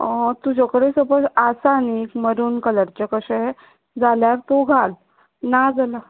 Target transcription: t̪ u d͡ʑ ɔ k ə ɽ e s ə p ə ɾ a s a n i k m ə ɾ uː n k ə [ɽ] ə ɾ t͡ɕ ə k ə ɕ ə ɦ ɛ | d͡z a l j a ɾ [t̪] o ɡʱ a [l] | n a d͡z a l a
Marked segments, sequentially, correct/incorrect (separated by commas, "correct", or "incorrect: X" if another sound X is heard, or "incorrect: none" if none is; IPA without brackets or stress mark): incorrect: l, correct, correct